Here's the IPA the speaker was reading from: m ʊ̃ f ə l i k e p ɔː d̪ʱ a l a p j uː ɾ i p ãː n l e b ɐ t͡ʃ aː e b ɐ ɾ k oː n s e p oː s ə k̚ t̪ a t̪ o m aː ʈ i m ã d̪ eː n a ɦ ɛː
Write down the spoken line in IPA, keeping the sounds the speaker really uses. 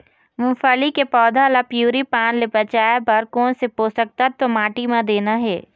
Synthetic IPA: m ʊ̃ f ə l i k e p ɔː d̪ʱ a l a p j uː ɾ i p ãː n l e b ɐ t͡ʃ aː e b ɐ ɾ k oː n s e p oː s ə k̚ t̪ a t̪ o m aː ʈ i m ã d̪ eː n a ɦ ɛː